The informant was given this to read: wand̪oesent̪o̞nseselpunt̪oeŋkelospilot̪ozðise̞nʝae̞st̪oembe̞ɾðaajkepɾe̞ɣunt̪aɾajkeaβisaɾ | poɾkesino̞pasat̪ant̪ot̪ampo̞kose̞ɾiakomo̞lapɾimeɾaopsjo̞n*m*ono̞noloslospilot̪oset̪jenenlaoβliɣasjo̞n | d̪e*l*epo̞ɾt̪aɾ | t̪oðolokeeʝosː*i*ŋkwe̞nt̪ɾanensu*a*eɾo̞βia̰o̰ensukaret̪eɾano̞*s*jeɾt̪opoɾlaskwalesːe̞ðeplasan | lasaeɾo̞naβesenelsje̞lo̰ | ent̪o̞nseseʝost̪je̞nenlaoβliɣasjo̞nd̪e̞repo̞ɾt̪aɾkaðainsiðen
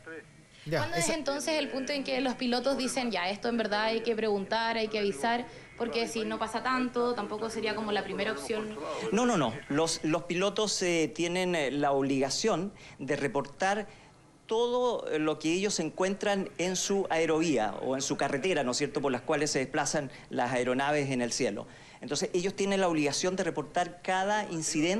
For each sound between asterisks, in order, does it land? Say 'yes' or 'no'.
no, no, no, yes, yes

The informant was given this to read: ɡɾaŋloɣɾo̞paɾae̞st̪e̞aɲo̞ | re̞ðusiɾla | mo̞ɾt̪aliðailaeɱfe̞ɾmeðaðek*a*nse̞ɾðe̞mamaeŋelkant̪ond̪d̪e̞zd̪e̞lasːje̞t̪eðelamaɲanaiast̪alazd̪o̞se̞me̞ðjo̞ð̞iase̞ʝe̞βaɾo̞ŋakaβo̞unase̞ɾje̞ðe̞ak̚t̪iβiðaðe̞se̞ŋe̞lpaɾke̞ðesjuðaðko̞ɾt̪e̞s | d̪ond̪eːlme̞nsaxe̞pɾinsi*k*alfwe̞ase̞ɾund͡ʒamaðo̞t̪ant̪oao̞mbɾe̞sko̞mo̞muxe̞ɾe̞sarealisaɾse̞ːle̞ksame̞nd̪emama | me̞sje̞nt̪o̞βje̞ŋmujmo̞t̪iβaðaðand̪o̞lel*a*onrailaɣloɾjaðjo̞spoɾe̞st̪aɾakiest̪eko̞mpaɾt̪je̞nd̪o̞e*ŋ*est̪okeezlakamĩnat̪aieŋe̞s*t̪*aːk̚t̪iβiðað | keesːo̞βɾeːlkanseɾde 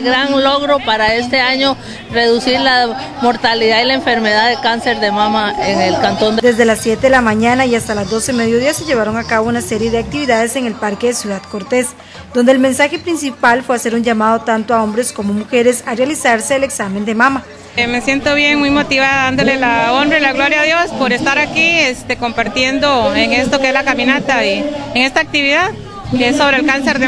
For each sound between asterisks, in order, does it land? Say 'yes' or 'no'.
yes, no, yes, yes, yes

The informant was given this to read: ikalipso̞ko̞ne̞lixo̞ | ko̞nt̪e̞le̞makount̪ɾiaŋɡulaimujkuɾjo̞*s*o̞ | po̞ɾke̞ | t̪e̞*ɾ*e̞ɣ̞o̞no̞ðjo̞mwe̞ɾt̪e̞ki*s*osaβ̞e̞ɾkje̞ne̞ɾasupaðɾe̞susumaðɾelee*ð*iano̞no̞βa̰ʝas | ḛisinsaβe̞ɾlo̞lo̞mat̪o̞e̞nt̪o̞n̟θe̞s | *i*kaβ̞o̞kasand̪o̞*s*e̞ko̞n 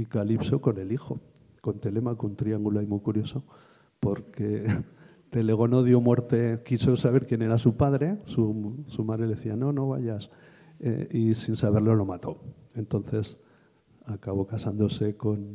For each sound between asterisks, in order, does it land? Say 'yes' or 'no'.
yes, no, yes, no, no, yes

